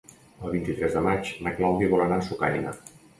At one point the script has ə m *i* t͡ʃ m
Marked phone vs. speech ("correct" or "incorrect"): incorrect